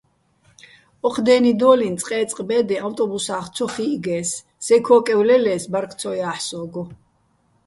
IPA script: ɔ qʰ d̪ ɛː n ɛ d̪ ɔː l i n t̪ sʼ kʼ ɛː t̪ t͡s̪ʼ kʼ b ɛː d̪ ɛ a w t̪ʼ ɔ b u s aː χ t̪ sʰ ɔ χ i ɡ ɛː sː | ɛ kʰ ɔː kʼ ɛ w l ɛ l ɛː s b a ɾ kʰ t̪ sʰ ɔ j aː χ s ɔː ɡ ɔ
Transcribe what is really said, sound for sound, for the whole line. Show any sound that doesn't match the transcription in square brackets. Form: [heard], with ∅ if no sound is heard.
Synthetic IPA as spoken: ɔ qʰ d̪ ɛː n [i] d̪ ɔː l i n t̪ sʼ [qʼ] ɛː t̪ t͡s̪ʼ [qʼ] b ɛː d̪ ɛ a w t̪ʼ ɔ b u s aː χ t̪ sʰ ɔ χ i ɡ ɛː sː | ɛ kʰ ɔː kʼ ɛ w l ɛ l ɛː s b a ɾ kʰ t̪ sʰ ɔ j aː [ħ] s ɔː ɡ ɔ